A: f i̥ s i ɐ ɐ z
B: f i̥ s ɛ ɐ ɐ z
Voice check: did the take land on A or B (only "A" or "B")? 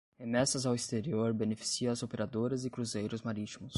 A